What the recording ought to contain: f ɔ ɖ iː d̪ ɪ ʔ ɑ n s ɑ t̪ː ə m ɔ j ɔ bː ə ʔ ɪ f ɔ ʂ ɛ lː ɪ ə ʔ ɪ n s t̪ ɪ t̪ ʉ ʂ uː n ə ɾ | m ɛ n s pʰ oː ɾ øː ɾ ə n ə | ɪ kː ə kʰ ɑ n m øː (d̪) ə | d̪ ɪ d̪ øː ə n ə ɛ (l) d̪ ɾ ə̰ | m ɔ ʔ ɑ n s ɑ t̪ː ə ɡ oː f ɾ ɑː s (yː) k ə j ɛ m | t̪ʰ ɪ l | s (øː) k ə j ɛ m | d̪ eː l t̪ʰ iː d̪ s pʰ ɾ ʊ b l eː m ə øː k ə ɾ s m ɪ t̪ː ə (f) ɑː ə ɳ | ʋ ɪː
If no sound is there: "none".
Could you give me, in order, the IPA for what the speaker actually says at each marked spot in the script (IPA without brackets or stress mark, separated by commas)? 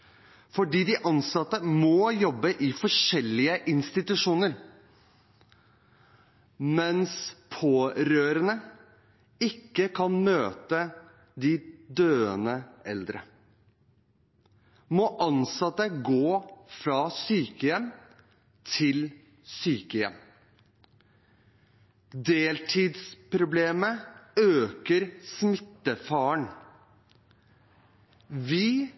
t̪, l, yː, yː, f